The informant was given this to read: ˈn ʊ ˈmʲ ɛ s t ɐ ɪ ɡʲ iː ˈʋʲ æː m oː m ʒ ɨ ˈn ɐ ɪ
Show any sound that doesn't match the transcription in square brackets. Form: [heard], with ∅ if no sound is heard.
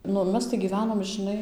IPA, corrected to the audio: ˈn ʊ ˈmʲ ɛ s t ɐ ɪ ɡʲ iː ˈʋʲ æː [n] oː m ʒ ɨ ˈn ɐ ɪ

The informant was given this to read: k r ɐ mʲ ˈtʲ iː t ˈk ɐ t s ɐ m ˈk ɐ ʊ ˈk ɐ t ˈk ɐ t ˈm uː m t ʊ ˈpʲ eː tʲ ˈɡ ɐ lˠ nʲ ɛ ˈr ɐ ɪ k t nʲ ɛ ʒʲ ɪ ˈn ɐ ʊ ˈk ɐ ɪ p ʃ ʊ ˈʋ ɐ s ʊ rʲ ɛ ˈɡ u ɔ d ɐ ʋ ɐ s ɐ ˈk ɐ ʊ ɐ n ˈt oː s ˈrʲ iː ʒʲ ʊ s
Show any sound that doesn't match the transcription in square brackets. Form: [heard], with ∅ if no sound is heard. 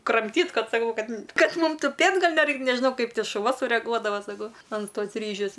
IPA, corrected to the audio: k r ɐ mʲ ˈtʲ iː t ˈk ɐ t s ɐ [∅] ˈk ɐ ʊ ˈk ɐ t ˈk ɐ t ˈm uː m t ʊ ˈpʲ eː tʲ ˈɡ ɐ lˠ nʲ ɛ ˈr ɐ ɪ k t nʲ ɛ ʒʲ ɪ ˈn ɐ ʊ ˈk ɐ ɪ p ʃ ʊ ˈʋ ɐ s ʊ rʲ ɛ ˈɡ u ɔ d ɐ ʋ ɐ s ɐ ˈk ɐ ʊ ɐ n ˈt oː s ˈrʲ iː ʒʲ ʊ s

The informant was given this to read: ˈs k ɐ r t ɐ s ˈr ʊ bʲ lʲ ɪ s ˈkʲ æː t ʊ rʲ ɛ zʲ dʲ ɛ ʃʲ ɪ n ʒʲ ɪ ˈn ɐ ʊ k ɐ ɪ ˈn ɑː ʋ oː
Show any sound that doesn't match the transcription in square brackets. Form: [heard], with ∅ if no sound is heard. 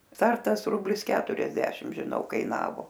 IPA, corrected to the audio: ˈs [t] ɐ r t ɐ s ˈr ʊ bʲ lʲ ɪ s ˈkʲ æː t ʊ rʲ ɛ zʲ dʲ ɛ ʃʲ ɪ [m] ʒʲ ɪ ˈn ɐ ʊ k ɐ ɪ ˈn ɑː ʋ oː

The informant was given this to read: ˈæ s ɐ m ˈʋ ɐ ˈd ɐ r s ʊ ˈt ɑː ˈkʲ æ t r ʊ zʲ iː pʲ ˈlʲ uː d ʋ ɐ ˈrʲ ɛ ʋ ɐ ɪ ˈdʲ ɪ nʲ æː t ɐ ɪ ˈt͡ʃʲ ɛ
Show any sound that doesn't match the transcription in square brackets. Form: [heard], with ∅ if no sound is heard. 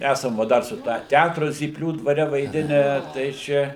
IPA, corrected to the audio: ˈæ s ɐ m ˈʋ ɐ ˈd ɐ r s ʊ ˈt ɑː [ˈtʲ] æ t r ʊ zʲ iː pʲ ˈlʲ uː d ʋ ɐ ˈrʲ ɛ ʋ ɐ ɪ ˈdʲ ɪ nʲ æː t ɐ ɪ ˈt͡ʃʲ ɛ

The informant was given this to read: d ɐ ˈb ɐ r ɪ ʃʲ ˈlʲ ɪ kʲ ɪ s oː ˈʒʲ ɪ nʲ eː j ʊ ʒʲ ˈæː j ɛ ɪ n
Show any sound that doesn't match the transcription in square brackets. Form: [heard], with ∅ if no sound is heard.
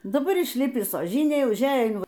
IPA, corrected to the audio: d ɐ ˈb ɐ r ɪ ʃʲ ˈlʲ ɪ [pʲ] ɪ s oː ˈʒʲ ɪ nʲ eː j ʊ ʒʲ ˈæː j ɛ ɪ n

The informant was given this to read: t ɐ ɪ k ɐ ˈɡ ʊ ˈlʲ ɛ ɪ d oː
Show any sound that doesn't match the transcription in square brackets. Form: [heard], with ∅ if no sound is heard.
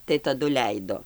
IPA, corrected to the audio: t ɐ ɪ [t] ɐ [ˈd] ʊ ˈlʲ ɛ ɪ d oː

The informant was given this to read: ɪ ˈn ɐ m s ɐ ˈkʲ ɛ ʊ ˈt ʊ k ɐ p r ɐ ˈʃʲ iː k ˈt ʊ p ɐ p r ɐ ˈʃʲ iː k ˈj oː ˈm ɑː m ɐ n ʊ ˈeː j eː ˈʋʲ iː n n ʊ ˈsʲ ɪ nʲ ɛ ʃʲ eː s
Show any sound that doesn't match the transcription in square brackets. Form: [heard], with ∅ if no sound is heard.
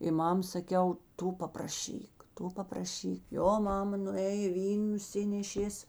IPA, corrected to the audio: ɪ [ˈm] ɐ m s ɐ ˈkʲ ɛ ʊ ˈt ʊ [p] ɐ p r ɐ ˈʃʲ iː k ˈt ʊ p ɐ p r ɐ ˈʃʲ iː k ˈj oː ˈm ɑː m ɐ n ʊ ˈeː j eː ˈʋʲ iː n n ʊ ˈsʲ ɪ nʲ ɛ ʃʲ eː s

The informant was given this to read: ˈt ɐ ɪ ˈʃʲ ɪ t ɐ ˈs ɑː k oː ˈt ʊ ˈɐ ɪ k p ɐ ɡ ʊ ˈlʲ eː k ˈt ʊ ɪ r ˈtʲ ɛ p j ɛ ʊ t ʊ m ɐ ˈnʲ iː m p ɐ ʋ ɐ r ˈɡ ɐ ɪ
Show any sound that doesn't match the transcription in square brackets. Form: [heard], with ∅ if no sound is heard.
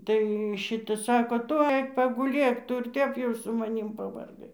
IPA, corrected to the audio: ˈt ɐ ɪ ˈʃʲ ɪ t ɐ ˈs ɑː k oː ˈt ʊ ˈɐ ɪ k p ɐ ɡ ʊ ˈlʲ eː k ˈt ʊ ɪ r ˈtʲ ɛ p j ɛ ʊ [s] ʊ m ɐ ˈnʲ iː m p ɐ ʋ ɐ r ˈɡ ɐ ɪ

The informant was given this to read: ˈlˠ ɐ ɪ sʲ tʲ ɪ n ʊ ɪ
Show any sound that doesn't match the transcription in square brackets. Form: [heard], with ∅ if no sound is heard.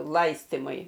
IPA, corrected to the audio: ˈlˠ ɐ ɪ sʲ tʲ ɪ [m] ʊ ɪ

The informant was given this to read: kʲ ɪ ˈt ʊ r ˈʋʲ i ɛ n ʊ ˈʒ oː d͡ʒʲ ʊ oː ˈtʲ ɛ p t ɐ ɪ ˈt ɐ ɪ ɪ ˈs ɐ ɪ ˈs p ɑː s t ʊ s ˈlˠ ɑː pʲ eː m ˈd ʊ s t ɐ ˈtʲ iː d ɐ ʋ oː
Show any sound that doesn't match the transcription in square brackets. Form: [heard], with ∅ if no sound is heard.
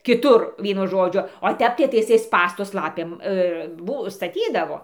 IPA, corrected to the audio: kʲ ɪ ˈt ʊ r ˈʋʲ i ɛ n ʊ ˈʒ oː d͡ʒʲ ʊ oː ˈtʲ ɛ p t ɐ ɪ ˈt ɐ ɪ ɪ ˈs ɐ ɪ ˈs p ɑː s t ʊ s ˈlˠ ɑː pʲ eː m [ˈb] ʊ s t ɐ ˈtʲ iː d ɐ ʋ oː

